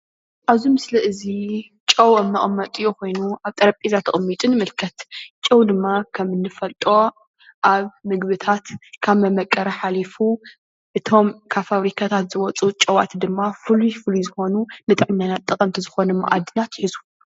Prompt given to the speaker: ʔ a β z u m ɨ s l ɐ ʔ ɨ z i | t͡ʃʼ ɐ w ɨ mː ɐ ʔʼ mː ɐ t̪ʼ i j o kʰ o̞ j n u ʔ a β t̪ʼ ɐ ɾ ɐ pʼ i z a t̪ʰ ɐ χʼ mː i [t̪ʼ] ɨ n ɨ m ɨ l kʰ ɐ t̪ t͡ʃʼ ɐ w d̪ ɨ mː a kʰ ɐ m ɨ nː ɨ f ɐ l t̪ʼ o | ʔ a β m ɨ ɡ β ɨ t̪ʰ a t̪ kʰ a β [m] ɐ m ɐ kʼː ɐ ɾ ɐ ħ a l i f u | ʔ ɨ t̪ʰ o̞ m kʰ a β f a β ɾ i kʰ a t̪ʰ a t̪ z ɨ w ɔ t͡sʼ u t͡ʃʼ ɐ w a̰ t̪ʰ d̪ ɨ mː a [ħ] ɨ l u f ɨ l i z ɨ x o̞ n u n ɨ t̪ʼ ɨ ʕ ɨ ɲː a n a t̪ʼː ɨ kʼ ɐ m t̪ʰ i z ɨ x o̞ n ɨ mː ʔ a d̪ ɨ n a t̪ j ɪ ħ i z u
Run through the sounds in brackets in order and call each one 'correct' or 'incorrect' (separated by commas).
correct, correct, incorrect